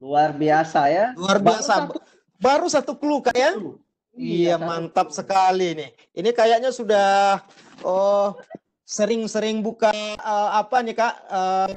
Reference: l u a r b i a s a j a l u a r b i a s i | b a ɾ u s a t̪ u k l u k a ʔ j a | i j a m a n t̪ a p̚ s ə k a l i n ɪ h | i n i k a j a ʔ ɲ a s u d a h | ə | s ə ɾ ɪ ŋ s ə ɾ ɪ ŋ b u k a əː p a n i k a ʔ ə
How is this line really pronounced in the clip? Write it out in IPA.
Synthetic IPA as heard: l u a r b i a s a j a l u a r b i a s a | b a ɾ u s a t̪ u k l u k a ʔ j a | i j a m a n t̪ a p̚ s ə k a l i n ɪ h | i n i k a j a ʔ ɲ a s u d a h | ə | s ə ɾ ɪ ŋ s ə ɾ ɪ ŋ b u k a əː p a n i k a ʔ ə